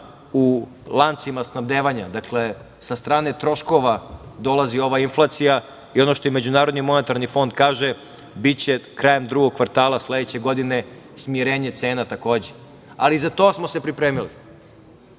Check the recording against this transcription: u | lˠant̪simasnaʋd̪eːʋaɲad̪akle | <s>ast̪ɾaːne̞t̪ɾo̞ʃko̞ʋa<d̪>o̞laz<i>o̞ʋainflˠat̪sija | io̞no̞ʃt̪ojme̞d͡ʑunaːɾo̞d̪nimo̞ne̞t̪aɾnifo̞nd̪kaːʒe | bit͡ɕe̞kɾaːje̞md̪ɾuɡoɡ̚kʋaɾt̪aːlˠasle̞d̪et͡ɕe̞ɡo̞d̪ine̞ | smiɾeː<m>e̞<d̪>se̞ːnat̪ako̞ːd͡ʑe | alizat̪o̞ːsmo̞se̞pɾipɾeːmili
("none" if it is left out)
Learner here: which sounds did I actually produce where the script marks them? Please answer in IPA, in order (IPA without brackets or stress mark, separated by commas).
s, d̪, i, ɲ, t̪